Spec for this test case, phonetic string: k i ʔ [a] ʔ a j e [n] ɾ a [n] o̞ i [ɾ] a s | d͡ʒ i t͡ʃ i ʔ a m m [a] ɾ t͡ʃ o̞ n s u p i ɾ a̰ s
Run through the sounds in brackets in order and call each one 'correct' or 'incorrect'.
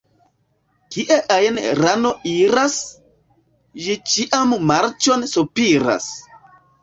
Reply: incorrect: e, correct, correct, correct, correct

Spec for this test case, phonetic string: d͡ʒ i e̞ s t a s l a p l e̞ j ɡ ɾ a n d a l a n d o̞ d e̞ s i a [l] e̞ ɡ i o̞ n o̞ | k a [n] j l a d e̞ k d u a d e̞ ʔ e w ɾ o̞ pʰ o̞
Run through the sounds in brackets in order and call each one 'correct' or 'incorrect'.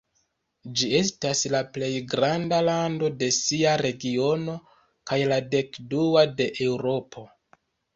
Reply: incorrect: ɾ, incorrect: none

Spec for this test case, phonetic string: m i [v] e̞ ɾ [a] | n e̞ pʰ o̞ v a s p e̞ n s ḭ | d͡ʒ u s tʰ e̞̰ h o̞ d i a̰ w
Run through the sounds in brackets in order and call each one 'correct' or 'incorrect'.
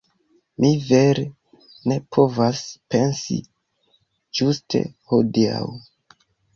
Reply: correct, incorrect: e

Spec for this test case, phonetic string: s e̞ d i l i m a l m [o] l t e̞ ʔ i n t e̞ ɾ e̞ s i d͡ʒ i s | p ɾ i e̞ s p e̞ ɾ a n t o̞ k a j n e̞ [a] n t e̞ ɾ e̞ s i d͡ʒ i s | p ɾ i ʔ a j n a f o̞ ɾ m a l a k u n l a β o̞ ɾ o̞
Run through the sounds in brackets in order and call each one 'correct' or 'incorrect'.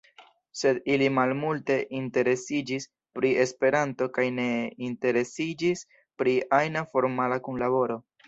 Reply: incorrect: u, incorrect: i

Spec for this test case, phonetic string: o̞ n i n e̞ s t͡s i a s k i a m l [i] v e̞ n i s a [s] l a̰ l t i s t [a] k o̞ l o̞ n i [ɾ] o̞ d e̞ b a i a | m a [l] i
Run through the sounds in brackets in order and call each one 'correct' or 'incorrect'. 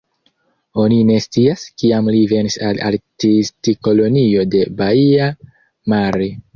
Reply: correct, incorrect: none, incorrect: i, incorrect: none, incorrect: ɾ

